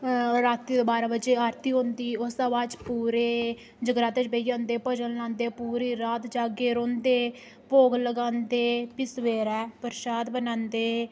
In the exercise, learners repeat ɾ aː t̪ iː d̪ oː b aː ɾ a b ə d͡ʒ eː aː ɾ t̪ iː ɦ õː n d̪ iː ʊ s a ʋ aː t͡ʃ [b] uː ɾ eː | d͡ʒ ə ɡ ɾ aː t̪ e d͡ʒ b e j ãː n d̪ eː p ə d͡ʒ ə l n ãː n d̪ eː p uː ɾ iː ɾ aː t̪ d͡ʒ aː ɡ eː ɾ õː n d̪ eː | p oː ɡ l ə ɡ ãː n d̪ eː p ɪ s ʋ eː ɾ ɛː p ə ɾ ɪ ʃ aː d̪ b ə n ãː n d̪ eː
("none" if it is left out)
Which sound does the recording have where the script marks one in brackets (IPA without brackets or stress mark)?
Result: p